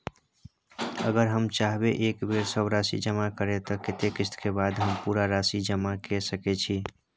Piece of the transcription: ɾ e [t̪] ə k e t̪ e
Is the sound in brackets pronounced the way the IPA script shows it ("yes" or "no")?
yes